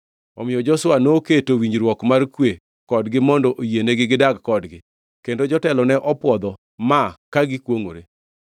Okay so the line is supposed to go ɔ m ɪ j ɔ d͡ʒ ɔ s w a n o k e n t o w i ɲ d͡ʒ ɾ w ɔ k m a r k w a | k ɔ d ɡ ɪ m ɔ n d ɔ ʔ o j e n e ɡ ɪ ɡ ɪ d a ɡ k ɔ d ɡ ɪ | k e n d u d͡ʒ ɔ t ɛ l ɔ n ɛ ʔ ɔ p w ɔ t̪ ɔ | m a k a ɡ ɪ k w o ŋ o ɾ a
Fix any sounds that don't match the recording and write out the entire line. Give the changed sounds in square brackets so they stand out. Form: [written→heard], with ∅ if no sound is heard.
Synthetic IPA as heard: ɔ m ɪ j ɔ d͡ʒ ɔ s w a n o k e [n→∅] t o w i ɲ d͡ʒ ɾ w ɔ k m a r k w [a→e] | k ɔ d ɡ ɪ m ɔ n d ɔ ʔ o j e n e ɡ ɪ ɡ ɪ d a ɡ k ɔ d ɡ ɪ | k e n d [u→o] d͡ʒ ɔ t ɛ l ɔ n ɛ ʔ ɔ p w ɔ [t̪→d̪] ɔ | m a k a ɡ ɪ k w o ŋ o ɾ [a→e]